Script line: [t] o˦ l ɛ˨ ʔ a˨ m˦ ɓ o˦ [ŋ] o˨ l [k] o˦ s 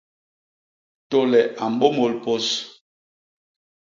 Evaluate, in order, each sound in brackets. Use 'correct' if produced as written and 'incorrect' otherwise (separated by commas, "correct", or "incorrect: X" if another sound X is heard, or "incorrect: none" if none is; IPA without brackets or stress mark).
correct, incorrect: m, incorrect: p